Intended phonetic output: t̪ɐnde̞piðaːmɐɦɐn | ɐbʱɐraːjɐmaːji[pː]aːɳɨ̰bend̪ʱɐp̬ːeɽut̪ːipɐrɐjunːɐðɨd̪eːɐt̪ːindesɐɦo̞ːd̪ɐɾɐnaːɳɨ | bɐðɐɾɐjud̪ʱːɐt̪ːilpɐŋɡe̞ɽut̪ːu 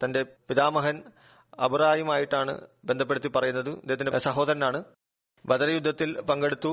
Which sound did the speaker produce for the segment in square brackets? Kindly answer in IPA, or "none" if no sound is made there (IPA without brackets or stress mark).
ʈː